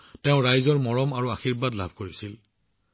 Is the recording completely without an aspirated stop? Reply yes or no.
yes